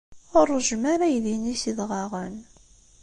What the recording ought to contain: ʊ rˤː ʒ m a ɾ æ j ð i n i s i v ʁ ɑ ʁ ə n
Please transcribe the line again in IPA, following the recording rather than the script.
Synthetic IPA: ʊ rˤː ʒ m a ɾ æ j ð i n i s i ð ʁ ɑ ʁ ə n